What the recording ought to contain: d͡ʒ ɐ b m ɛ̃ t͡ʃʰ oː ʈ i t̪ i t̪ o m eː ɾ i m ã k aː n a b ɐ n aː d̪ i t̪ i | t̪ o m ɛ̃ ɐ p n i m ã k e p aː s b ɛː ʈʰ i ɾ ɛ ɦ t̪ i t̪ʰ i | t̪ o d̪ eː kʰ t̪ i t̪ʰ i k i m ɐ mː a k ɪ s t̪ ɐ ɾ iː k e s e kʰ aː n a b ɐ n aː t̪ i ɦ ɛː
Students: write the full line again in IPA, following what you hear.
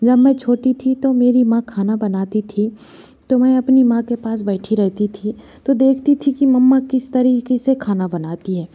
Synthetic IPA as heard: d͡ʒ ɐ b m ɛ̃ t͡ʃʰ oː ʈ i t̪ʰ i t̪ o m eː ɾ i m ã kʰ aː n a b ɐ n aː t̪ i t̪ʰ i | t̪ o m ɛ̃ ɐ p n i m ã k e p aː s b ɛː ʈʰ i ɾ ɛ ɦ t̪ i t̪ʰ i | t̪ o d̪ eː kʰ t̪ i t̪ʰ i k i m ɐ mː a k ɪ s t̪ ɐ ɾ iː k e s e kʰ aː n a b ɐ n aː t̪ i ɦ ɛː